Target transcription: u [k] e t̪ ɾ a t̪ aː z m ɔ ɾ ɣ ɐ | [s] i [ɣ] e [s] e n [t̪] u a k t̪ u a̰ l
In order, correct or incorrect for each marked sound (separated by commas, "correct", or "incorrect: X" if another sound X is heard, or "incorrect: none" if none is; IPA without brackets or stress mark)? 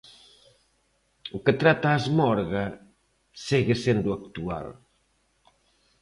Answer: correct, correct, correct, correct, incorrect: d̪